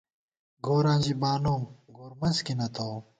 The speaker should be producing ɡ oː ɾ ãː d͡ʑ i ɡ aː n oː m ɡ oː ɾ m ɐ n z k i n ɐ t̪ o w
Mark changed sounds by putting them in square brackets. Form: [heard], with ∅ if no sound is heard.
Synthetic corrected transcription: ɡ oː ɾ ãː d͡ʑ i [b] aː n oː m ɡ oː ɾ m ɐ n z k i n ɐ t̪ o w